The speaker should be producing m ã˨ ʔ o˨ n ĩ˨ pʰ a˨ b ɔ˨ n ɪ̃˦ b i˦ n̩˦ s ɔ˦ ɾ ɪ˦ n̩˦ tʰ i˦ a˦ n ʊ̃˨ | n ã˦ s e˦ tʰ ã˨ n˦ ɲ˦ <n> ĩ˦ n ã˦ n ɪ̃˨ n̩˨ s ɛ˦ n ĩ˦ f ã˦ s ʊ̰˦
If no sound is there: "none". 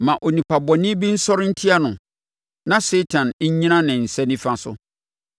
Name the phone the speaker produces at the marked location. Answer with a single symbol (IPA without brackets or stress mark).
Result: ɲ